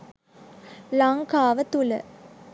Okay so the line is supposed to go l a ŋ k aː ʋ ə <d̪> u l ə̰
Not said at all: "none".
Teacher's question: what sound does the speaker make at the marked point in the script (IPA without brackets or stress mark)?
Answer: t̪